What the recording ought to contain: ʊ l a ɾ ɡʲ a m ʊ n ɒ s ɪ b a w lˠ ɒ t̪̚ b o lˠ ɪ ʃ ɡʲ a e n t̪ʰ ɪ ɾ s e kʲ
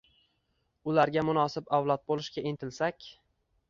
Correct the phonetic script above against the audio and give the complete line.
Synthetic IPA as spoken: ʊ l a ɾ ɡʲ a m ʊ n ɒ s ɪ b a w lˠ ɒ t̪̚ b o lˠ ɪ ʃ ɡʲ a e n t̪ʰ ɪ l s a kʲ